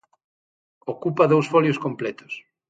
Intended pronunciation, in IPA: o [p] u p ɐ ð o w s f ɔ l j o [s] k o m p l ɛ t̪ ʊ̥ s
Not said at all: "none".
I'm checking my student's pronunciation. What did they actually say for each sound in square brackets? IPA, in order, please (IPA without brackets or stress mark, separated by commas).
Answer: k, s